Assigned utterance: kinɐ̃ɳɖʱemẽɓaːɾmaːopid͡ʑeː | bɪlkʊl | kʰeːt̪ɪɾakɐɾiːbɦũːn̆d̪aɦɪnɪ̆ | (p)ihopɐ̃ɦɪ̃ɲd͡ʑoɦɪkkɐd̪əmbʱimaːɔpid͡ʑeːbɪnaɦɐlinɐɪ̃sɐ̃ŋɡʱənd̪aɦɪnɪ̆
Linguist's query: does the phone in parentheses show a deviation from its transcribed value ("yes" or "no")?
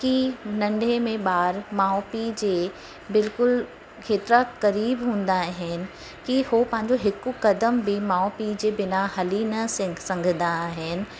yes